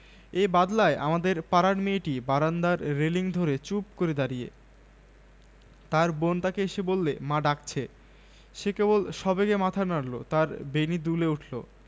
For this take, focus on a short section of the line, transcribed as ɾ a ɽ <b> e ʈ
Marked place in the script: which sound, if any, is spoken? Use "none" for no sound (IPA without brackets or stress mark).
m